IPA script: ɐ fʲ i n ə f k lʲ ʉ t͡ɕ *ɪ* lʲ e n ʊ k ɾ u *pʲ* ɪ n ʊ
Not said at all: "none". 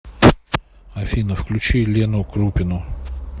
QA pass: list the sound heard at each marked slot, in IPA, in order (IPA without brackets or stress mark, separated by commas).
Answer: i, pʲ